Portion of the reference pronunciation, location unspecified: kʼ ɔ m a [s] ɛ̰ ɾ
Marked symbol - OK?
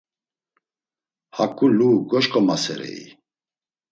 yes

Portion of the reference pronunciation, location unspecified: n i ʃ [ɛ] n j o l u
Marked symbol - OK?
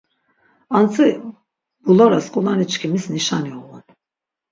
no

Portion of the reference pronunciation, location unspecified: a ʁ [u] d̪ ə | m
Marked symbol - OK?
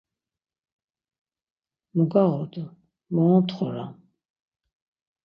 no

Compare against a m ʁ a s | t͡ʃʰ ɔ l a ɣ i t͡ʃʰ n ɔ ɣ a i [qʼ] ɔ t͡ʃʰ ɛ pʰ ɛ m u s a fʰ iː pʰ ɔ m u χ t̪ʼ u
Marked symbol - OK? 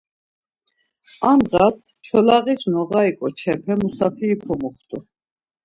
no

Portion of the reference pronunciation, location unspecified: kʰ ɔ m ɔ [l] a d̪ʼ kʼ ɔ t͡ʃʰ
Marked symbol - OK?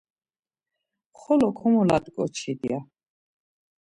yes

